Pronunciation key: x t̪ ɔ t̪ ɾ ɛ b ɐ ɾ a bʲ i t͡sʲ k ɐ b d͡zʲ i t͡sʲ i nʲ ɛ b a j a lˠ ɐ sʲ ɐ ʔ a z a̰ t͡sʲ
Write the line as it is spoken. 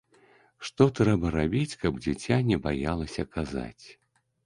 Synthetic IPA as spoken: ʂ t̪ ɔ t̪ ɾ ɛ b ɐ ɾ a bʲ i t͡sʲ k ɐ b d͡zʲ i t͡sʲ a nʲ ɛ b a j a lˠ ɐ sʲ ɐ k a z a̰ t͡sʲ